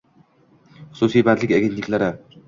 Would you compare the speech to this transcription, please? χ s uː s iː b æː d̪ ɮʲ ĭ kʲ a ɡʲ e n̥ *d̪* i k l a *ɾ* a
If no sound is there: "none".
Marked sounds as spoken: t̪, ɾ

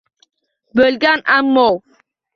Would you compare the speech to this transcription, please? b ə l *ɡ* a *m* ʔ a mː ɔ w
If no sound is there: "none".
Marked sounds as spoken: ɡ, n

